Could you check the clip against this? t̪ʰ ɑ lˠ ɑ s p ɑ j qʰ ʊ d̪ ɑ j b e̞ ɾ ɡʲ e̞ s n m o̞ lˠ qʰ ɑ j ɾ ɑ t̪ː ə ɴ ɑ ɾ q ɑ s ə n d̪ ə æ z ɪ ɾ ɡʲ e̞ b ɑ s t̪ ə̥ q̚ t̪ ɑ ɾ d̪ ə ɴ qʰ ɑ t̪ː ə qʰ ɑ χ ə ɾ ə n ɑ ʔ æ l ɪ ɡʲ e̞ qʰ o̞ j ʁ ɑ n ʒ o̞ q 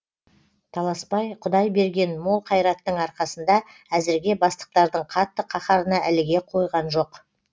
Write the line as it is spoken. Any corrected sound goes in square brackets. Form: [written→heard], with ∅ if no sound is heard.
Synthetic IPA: t̪ʰ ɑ lˠ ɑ s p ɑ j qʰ ʊ d̪ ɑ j b e̞ ɾ ɡʲ e̞ [s→∅] n m o̞ lˠ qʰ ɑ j ɾ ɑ t̪ː ə ɴ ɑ ɾ q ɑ s ə n d̪ [ə→ɑ] æ z ɪ ɾ ɡʲ e̞ b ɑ s t̪ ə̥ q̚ t̪ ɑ ɾ d̪ ə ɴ qʰ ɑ t̪ː ə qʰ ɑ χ [ə→ɑ] ɾ ə n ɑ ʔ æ l ɪ ɡʲ e̞ qʰ o̞ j ʁ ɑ n ʒ o̞ q